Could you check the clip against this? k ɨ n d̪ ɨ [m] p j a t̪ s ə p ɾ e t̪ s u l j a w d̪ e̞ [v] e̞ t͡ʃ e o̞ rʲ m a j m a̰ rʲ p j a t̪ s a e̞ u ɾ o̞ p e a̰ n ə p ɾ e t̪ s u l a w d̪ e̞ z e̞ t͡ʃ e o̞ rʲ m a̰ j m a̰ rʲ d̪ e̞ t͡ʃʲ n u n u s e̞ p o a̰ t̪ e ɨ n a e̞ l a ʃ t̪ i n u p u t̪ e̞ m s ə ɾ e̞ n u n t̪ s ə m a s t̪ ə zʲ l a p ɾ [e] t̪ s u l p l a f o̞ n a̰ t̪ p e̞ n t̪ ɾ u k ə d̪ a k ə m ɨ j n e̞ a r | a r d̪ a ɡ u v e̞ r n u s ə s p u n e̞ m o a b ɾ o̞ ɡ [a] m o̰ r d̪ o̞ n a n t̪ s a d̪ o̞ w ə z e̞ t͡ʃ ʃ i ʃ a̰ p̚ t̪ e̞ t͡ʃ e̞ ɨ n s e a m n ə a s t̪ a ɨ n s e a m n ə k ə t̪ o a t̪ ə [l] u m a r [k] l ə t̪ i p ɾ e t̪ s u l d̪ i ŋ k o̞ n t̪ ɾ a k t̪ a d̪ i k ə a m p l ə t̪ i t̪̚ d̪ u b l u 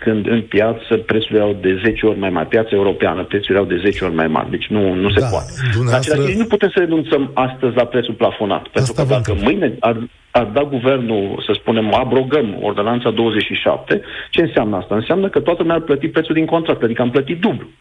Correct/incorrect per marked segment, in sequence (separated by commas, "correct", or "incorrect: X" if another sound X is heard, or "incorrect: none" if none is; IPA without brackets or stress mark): incorrect: n, incorrect: z, correct, incorrect: ə, correct, incorrect: p